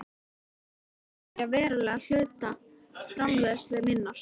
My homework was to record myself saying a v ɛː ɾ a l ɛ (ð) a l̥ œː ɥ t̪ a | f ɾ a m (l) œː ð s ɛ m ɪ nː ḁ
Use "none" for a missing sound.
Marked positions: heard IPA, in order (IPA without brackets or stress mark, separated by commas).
ɣ, l